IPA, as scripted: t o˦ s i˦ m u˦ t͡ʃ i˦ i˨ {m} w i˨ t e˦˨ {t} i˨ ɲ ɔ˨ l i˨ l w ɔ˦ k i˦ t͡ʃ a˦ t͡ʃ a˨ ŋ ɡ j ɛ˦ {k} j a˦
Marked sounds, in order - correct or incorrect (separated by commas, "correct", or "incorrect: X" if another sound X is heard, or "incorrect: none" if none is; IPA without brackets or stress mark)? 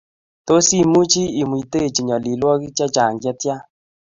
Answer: correct, incorrect: t͡ʃ, incorrect: t